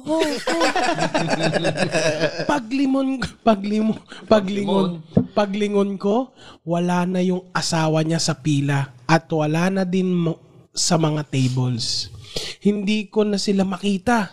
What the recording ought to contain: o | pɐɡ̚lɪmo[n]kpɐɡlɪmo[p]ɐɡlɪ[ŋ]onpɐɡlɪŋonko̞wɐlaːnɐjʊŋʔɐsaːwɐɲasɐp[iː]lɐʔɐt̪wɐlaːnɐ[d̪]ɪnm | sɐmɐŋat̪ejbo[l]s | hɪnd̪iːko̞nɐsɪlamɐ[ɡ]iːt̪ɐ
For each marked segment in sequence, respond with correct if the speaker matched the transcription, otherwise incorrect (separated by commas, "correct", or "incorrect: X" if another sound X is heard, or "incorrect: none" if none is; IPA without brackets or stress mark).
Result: correct, correct, correct, correct, correct, correct, incorrect: k